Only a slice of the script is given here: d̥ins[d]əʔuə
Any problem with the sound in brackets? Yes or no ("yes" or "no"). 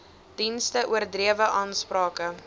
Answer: yes